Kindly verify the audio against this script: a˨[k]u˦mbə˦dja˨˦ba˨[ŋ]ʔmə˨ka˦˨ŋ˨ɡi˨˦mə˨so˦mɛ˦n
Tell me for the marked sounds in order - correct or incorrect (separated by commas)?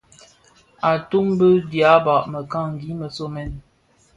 incorrect, incorrect